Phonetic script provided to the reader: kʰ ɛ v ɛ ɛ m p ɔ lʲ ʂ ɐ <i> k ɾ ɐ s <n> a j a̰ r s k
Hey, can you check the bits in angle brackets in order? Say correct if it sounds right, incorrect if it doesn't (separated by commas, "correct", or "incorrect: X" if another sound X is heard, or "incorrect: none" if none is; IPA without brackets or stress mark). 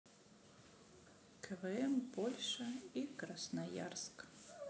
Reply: correct, correct